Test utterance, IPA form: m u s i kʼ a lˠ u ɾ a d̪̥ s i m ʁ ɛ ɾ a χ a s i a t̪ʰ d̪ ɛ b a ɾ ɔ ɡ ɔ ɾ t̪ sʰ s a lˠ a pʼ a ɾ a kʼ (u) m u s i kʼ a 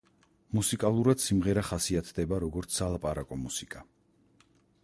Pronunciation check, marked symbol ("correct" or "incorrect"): incorrect